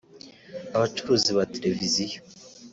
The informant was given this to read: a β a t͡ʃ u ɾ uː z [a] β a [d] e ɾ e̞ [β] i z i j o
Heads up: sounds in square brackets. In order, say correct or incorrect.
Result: incorrect: i, incorrect: t, incorrect: v

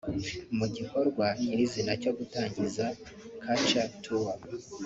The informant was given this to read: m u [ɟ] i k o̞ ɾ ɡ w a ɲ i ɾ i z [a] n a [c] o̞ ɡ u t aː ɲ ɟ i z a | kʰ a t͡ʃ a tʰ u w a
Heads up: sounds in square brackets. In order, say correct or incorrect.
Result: correct, incorrect: i, correct

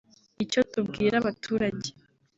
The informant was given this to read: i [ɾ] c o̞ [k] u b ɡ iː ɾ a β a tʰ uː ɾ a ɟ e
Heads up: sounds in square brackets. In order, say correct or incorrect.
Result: incorrect: none, incorrect: t

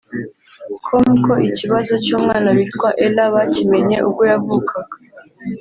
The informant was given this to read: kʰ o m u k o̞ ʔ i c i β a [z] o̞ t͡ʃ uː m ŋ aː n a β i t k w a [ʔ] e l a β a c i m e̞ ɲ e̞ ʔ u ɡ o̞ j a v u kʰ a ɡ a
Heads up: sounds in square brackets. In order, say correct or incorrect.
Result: correct, correct

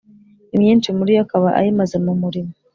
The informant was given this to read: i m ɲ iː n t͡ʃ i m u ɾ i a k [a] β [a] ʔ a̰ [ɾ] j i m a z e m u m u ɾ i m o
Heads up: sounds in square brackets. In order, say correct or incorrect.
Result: correct, correct, incorrect: none

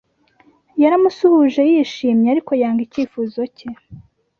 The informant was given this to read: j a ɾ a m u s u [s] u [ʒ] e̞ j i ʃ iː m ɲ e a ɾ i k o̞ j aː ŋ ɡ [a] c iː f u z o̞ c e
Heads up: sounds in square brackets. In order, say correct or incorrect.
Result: incorrect: h, correct, incorrect: i

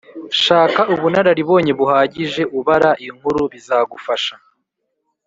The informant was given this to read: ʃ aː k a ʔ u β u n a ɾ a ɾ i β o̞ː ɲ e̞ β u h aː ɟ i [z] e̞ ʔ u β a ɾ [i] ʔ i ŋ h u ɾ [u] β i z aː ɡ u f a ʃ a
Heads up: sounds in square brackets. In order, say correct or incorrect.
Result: incorrect: ʒ, incorrect: a, correct

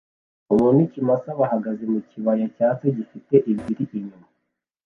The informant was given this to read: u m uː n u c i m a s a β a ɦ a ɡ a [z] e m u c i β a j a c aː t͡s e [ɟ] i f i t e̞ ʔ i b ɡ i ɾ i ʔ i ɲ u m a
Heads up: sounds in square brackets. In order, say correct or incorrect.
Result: correct, correct

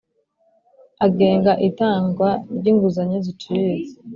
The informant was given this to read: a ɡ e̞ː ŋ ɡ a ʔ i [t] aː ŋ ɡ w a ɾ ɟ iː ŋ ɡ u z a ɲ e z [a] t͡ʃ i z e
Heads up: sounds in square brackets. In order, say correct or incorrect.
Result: correct, incorrect: i

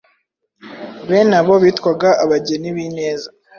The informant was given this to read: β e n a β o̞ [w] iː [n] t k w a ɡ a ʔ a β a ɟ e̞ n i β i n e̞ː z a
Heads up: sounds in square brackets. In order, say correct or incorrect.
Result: incorrect: β, incorrect: none

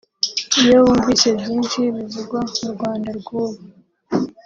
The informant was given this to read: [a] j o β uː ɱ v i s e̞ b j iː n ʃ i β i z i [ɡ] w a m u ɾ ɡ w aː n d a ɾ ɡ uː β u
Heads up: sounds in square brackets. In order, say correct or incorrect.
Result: incorrect: i, correct

